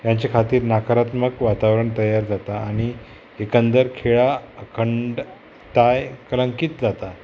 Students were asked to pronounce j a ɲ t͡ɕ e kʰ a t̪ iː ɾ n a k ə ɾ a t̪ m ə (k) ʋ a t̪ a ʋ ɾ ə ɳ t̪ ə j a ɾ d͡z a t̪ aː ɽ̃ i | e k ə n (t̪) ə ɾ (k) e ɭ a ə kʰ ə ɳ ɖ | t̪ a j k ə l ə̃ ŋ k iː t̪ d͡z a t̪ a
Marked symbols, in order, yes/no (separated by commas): yes, no, no